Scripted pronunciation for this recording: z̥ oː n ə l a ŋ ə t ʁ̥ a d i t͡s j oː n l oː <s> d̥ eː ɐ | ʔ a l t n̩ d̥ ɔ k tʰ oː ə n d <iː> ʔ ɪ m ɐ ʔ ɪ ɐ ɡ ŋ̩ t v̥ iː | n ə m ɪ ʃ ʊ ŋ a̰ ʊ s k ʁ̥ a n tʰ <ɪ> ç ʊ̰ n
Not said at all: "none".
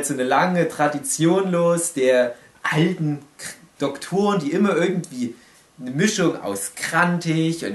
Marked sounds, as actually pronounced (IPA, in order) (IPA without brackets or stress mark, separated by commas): s, iː, ɪ